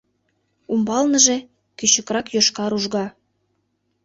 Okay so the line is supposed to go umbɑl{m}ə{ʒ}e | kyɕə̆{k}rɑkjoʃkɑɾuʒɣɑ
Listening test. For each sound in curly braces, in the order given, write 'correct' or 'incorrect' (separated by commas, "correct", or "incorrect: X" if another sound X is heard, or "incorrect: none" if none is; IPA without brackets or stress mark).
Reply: incorrect: n, correct, correct